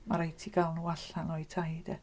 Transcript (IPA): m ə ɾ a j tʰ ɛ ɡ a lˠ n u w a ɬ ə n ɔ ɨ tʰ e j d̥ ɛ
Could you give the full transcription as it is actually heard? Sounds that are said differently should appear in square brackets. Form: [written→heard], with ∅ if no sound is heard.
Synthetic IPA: m [ə→a] ɾ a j tʰ [ɛ→i] ɡ a lˠ n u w a ɬ [ə→a] n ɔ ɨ tʰ [e→a] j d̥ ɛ

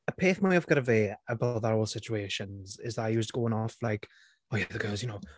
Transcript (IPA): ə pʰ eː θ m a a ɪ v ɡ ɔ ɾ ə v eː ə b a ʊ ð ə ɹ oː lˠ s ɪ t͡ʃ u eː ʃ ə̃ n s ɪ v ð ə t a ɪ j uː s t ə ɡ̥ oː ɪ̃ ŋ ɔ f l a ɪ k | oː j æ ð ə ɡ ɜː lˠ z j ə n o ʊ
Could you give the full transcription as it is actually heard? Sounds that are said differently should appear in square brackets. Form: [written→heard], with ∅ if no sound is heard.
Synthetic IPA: ə pʰ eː θ m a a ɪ v ɡ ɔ ɾ ə v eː ə b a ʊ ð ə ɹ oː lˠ s ɪ t͡ʃ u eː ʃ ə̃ n [s→z] ɪ [v→z] ð ə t a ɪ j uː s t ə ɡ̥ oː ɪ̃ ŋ ɔ f l a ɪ k | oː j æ ð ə ɡ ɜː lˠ z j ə n o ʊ

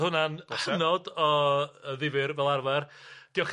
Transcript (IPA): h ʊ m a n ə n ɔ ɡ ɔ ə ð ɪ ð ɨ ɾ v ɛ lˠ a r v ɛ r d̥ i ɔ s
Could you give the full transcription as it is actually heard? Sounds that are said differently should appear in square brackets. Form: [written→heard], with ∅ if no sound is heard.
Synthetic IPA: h ʊ [m→n] a n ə n ɔ [ɡ→d] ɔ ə ð ɪ [ð→v] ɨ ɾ v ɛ lˠ a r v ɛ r d̥ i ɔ [s→χ]

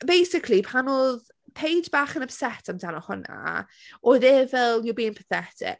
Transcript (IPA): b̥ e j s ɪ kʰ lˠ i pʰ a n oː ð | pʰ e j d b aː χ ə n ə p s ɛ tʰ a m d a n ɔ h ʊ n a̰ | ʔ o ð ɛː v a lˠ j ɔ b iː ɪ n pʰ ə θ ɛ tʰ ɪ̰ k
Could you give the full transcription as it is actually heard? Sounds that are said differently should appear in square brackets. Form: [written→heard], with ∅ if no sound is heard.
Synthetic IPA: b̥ e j s ɪ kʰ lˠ i pʰ a n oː ð | pʰ e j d b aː χ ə n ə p s ɛ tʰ a m d a n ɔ h ʊ n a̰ | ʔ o ð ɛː v [a→ɛ] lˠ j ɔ b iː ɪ n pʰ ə θ ɛ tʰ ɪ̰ k

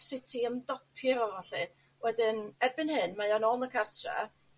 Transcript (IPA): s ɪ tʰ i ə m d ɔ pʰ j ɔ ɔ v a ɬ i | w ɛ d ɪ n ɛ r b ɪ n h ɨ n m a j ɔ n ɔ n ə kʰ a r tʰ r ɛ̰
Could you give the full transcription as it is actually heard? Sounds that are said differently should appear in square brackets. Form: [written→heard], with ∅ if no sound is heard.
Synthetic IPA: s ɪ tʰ i ə m d ɔ pʰ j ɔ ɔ v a ɬ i | w ɛ d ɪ n ɛ r b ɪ n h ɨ n m a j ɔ n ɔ n ə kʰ a r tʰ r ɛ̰

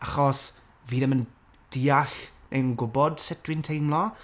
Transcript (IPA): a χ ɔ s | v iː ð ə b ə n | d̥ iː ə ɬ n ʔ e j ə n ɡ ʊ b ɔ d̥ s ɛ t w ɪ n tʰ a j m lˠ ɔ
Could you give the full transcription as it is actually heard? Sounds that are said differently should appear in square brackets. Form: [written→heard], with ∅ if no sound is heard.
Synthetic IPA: a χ ɔ s | v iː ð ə [b→m] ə n | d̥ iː [ə→a] ɬ n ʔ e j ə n ɡ ʊ b ɔ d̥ s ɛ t w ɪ n tʰ [a→e] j m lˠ ɔ

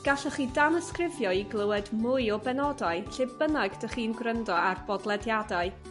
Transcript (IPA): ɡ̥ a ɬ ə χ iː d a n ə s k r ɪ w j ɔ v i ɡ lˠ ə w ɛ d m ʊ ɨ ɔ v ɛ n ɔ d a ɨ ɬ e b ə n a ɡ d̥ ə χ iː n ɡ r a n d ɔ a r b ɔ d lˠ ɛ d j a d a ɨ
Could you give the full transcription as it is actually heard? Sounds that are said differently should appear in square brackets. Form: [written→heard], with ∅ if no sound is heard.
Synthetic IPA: ɡ̥ a ɬ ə χ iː d a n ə s k r ɪ [w→v] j ɔ [v→∅] i ɡ lˠ ə w ɛ d m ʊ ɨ ɔ [v→b] ɛ n ɔ d a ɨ ɬ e b ə n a ɡ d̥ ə χ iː n ɡ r [a→ə] n d ɔ a r b ɔ d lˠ ɛ d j a d a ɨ

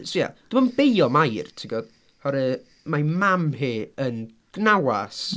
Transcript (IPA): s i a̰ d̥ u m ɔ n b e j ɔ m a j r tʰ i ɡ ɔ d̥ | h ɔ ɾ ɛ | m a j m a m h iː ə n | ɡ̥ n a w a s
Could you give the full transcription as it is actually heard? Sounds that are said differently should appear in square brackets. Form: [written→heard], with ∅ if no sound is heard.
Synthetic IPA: s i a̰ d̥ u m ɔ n b e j ɔ m a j r tʰ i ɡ ɔ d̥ | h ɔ ɾ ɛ | m a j m a m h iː ə n | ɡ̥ n a w a s

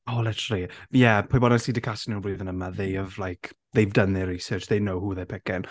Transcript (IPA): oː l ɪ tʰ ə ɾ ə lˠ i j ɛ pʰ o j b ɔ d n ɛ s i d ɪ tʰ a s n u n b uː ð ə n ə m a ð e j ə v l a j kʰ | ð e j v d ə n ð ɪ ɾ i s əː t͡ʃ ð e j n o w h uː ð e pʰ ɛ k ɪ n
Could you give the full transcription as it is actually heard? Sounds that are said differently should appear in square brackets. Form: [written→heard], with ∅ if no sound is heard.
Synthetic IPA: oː l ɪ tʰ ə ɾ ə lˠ i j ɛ pʰ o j b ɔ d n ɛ s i d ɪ [tʰ→kʰ] a s n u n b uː ð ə n ə m a ð e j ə v l a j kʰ | ð e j v d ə n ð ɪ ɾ i s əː t͡ʃ ð e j n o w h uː ð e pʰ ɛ k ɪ n

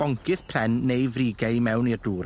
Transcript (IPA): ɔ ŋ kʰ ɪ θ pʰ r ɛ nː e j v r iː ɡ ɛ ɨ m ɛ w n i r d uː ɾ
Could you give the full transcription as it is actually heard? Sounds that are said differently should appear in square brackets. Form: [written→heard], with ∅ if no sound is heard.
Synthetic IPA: ɔ ŋ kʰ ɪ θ pʰ r ɛ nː e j v r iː ɡ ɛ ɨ m ɛ w n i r d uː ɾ

